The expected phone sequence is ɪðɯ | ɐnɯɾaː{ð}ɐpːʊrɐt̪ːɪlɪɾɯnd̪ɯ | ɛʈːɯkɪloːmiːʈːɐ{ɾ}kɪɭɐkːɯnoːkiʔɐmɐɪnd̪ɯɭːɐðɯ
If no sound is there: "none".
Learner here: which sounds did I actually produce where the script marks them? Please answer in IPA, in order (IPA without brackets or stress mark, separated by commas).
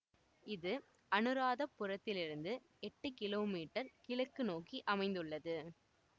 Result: ð, ɾ